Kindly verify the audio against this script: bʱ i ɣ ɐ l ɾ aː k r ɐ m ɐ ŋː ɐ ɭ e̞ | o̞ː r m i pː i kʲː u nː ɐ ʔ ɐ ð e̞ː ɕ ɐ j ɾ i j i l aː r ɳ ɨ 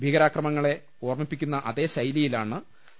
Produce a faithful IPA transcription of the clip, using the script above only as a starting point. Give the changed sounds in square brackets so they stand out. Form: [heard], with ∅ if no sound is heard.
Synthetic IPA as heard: bʱ i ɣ ɐ [∅] ɾ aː k r ɐ m ɐ ŋː ɐ ɭ e̞ | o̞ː r m i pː i kʲː u nː ɐ ʔ ɐ ð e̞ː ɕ ɐ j [l] i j i l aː [∅] ɳ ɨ

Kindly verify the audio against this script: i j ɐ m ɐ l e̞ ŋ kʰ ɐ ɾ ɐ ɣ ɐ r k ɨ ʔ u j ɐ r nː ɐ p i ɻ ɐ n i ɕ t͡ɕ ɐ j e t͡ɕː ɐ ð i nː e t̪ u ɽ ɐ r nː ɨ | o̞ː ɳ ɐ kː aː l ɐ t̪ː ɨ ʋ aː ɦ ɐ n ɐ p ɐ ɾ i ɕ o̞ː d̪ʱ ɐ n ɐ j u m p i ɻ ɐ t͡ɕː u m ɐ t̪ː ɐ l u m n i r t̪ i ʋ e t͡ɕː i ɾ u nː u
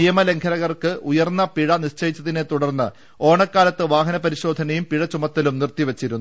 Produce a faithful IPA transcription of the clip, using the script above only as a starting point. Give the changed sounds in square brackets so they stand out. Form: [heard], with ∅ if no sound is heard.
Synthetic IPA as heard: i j ɐ m ɐ l e̞ ŋ kʰ ɐ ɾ ɐ ɣ ɐ r k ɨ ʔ u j ɐ r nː ɐ p i ɻ ɐ n i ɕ t͡ɕ ɐ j [i] t͡ɕː ɐ ð i [n] e t̪ u ɽ ɐ r nː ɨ | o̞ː ɳ ɐ kː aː l ɐ t̪ː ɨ ʋ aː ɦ ɐ n ɐ p ɐ ɾ i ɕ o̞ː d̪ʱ ɐ n ɐ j u m p i ɻ ɐ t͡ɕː u m ɐ t̪ː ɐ l u m n i r t̪ i ʋ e t͡ɕː i ɾ u nː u

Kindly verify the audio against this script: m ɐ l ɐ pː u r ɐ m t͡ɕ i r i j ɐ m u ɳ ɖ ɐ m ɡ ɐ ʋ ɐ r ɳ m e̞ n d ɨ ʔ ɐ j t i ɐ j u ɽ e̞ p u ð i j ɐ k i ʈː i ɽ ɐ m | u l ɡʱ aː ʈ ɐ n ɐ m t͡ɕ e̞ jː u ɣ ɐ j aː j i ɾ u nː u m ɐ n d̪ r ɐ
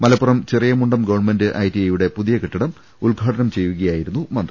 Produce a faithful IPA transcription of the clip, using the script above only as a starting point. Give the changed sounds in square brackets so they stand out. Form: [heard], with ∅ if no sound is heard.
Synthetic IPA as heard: m ɐ l ɐ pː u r ɐ m t͡ɕ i r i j ɐ m u ɳ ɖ ɐ m ɡ ɐ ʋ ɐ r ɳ m e̞ n d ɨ ʔ ɐ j t i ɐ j u ɽ e̞ p u ð i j ɐ k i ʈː i ɽ ɐ m | u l ɡʱ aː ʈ ɐ n ɐ m t͡ɕ e̞ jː u ɣ ɐ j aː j i ɾ u nː u m ɐ n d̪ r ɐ

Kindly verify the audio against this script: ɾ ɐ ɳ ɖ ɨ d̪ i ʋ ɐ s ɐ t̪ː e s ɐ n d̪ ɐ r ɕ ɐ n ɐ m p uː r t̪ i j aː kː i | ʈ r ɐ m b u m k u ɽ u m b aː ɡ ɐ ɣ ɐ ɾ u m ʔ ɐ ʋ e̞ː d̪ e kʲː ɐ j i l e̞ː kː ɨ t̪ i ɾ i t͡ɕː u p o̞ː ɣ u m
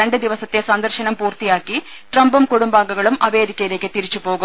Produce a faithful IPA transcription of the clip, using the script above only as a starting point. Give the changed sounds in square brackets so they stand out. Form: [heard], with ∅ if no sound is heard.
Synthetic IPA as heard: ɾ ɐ ɳ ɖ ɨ d̪ i ʋ ɐ s ɐ t̪ː e s ɐ n d̪ ɐ r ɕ ɐ n ɐ m p uː r t̪ i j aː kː i | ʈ r ɐ m b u m k u ɽ u m b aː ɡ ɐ ɣ ɐ [ɭ] u m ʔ ɐ ʋ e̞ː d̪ [i] kʲː ɐ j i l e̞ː kː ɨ t̪ i ɾ i t͡ɕː u p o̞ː ɣ u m

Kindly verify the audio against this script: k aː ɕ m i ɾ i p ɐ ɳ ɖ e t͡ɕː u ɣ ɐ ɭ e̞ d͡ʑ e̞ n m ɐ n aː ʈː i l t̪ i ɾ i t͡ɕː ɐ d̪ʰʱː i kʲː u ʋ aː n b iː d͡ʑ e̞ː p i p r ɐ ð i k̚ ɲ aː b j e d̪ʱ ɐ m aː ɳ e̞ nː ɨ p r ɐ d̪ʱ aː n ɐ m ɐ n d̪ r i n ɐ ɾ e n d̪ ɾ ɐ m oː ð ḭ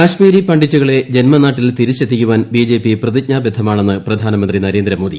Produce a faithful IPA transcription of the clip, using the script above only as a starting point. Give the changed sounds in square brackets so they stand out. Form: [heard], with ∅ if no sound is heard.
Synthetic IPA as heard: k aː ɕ m [iː] ɾ i p ɐ ɳ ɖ [i] t͡ɕː u ɣ ɐ ɭ e̞ d͡ʑ e̞ n m ɐ n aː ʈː i l t̪ i ɾ i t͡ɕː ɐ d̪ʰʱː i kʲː u ʋ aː n b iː d͡ʑ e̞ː p i p r ɐ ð i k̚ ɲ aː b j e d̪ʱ ɐ m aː ɳ e̞ nː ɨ p r ɐ d̪ʱ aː n ɐ m ɐ n d̪ r i n ɐ ɾ e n d̪ ɾ ɐ m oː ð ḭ

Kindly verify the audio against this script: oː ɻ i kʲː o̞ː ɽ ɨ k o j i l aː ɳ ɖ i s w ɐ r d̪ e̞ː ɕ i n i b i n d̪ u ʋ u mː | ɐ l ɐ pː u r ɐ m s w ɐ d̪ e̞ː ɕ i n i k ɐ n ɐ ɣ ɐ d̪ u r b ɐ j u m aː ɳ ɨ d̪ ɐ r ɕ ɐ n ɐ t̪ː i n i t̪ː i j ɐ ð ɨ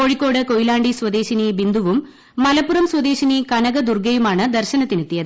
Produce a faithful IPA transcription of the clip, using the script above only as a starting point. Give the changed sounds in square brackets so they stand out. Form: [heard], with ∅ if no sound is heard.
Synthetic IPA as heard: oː ɻ i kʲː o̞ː ɽ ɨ k o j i l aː ɳ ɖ i s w ɐ [∅] d̪ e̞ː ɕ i n i b i n d̪ u ʋ u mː | ɐ l ɐ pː u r ɐ m s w ɐ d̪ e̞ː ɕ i n i k ɐ n ɐ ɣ ɐ d̪ u r [ɡ] ɐ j u m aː ɳ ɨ d̪ ɐ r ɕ ɐ n ɐ t̪ː i n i t̪ː i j ɐ ð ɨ

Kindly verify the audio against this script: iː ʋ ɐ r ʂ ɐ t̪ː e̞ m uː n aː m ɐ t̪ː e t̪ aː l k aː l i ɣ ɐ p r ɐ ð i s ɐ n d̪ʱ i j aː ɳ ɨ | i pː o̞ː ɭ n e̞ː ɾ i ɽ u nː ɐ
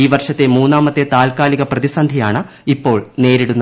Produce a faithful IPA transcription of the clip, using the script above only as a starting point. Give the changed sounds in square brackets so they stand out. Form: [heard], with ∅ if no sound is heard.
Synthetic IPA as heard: iː ʋ ɐ r ʂ ɐ t̪ː e̞ m uː [nː] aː m ɐ t̪ː e t̪ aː l k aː l i ɣ ɐ p r ɐ ð i s ɐ n d̪ʱ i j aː ɳ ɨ | i pː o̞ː ɭ n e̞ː ɾ i ɽ u nː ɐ

